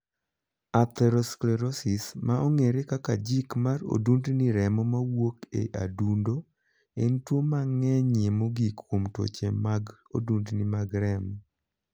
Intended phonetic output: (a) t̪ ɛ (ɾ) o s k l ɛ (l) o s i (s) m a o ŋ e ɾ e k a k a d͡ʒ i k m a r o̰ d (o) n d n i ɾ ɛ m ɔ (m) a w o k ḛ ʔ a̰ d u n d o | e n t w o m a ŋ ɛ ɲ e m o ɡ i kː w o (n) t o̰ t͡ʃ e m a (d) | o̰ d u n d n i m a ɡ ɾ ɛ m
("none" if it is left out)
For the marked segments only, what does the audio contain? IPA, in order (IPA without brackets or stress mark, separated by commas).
a, ɾ, ɾ, s, u, m, m, ɡ